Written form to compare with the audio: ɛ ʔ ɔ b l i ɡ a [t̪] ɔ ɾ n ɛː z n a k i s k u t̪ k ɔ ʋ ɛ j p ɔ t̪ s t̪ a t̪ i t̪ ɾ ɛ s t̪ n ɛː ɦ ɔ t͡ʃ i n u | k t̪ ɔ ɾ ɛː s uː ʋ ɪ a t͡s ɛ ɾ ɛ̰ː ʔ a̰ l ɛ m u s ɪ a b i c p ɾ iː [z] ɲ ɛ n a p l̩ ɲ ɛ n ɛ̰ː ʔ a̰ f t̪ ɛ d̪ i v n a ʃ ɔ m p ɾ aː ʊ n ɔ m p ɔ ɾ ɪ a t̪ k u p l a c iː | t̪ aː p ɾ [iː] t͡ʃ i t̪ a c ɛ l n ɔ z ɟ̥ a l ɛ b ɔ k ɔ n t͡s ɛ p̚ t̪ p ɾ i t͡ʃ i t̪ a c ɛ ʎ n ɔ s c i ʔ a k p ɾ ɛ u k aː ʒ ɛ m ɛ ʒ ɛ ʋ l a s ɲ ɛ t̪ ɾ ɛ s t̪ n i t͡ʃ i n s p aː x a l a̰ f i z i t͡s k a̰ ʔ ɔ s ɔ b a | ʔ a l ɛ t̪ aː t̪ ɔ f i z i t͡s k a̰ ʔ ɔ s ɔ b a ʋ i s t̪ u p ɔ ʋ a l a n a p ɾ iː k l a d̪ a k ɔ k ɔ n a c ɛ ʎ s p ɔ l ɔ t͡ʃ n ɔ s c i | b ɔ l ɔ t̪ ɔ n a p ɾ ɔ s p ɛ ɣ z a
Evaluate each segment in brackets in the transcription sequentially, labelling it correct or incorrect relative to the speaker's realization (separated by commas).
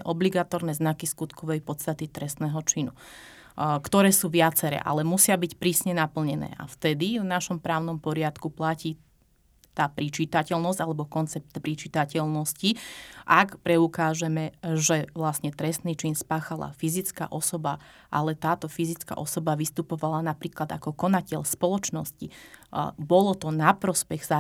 correct, incorrect, incorrect